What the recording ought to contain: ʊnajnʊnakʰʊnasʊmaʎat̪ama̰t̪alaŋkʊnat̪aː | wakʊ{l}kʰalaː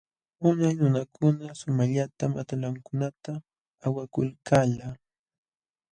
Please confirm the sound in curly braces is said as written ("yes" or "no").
yes